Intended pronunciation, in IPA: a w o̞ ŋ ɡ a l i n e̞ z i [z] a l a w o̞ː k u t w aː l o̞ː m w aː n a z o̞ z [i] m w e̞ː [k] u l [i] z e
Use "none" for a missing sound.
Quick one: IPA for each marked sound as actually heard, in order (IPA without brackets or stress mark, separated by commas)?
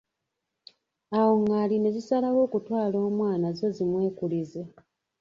s, i, k, i